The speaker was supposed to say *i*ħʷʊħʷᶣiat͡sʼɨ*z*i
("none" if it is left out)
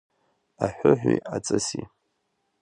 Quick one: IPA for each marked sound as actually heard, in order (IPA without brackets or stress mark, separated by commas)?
a, s